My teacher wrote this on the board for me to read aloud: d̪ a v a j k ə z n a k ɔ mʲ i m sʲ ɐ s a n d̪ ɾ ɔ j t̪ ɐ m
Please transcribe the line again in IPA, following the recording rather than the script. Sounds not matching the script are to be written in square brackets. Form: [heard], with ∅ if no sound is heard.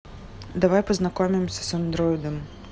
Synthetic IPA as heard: d̪ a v a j [p] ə z n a k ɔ mʲ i m sʲ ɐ s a n d̪ ɾ ɔ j [d̪] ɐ m